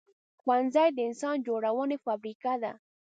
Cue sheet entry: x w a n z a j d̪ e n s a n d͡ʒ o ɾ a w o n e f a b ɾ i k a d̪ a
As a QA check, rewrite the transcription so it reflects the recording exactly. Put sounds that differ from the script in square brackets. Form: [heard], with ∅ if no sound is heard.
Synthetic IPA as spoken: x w a n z a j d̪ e n s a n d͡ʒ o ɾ a w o n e f a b ɾ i k a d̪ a